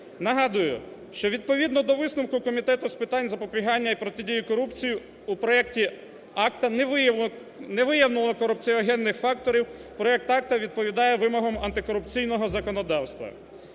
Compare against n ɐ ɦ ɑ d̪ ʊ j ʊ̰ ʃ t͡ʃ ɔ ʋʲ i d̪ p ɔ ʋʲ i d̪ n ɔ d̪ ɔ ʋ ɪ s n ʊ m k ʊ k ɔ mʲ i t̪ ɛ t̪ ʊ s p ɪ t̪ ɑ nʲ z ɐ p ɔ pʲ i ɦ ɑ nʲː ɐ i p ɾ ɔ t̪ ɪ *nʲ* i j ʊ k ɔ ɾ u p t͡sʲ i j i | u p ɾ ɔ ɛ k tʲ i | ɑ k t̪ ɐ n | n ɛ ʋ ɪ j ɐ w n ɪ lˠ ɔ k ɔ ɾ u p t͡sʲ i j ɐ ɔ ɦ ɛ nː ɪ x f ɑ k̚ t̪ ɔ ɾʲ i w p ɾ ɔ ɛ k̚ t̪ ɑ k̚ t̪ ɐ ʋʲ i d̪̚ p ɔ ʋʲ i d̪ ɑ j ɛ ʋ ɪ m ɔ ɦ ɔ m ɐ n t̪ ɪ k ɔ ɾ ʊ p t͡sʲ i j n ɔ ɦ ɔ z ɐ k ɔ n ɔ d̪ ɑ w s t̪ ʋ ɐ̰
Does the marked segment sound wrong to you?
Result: yes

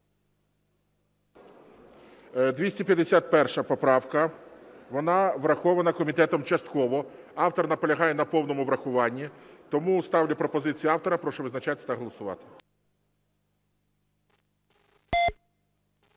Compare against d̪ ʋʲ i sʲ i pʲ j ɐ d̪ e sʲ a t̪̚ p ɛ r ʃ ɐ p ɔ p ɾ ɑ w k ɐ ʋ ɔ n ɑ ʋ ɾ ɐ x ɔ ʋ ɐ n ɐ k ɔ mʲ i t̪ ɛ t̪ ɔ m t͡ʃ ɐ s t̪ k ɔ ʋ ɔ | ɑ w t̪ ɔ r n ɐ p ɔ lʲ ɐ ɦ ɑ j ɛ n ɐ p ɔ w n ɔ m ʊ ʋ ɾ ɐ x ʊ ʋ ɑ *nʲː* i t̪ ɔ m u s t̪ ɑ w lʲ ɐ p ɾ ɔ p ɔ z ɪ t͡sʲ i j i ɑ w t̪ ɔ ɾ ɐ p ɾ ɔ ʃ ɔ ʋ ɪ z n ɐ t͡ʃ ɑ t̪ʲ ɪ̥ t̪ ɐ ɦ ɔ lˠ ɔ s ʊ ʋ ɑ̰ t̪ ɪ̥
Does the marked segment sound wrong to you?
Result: no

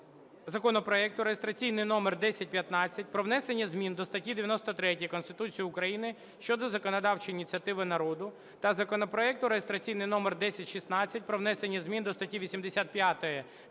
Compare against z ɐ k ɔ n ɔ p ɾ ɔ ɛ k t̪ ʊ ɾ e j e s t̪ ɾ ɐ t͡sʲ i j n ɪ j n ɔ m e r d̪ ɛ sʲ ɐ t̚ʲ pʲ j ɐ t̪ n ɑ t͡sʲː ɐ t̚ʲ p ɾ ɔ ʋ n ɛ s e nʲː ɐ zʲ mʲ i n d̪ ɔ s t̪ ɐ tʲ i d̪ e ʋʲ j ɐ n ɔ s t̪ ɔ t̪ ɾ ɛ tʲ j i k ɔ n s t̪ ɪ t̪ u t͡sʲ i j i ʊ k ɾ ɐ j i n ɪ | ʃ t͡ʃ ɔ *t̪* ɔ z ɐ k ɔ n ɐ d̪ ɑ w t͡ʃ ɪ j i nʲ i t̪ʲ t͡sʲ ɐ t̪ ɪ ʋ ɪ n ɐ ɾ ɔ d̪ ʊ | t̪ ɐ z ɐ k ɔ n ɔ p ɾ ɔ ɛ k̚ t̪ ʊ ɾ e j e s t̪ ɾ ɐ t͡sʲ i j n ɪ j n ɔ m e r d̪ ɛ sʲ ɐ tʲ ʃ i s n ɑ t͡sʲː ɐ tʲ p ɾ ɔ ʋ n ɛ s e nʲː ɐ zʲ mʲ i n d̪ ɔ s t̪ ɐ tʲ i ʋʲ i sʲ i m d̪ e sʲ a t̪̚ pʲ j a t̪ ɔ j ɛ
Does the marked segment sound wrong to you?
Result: yes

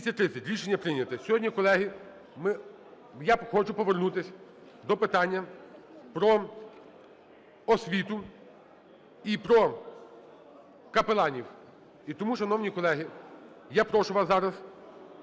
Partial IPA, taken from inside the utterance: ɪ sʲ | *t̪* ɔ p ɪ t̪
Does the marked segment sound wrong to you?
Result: yes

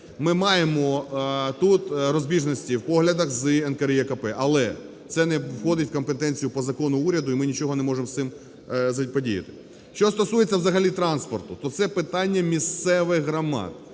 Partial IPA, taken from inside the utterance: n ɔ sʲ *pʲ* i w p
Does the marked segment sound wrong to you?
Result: yes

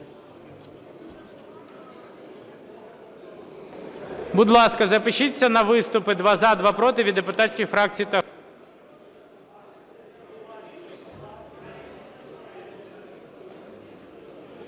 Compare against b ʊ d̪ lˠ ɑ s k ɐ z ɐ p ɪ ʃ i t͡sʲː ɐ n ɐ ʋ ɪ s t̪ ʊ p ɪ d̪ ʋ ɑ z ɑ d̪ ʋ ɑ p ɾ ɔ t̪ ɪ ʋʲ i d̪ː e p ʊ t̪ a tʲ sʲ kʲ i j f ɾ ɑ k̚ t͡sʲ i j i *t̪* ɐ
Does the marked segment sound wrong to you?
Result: no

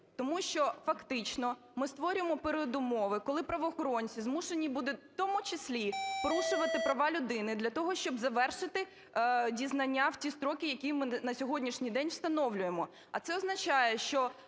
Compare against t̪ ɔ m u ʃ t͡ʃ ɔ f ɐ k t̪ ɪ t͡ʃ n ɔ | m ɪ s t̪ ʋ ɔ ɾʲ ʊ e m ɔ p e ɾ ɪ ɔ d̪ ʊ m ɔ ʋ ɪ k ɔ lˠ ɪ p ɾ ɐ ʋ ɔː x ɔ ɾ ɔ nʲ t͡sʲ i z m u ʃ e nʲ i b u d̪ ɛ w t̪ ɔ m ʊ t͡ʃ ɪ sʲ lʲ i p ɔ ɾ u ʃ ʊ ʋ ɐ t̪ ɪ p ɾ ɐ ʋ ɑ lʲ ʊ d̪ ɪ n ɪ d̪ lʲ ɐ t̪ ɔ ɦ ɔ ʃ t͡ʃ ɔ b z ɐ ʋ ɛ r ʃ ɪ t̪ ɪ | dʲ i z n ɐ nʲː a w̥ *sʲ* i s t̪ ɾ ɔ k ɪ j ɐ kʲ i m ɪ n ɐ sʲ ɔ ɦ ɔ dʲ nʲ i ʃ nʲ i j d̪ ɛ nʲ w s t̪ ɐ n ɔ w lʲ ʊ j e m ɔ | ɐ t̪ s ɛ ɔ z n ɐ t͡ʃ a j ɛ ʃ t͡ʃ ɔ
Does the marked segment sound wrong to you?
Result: yes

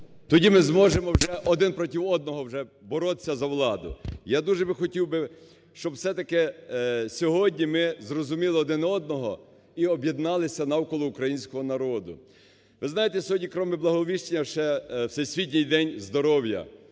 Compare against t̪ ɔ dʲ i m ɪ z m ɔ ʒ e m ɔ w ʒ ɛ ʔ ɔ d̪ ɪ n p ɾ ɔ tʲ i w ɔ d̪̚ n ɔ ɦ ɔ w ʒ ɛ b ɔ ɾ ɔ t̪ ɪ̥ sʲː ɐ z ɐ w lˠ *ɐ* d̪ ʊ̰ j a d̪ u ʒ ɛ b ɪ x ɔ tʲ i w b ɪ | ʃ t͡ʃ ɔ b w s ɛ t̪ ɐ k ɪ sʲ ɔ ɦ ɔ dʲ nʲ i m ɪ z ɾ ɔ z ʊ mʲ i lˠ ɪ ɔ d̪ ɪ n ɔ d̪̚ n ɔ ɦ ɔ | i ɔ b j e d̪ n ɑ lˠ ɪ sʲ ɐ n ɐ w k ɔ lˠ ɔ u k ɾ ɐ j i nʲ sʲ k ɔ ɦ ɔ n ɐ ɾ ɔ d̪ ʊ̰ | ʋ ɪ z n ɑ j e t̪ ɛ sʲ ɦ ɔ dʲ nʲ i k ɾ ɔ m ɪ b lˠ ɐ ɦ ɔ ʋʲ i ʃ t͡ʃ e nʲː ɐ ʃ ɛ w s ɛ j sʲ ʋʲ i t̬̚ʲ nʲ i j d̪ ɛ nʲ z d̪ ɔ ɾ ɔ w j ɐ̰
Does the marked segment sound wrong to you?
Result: yes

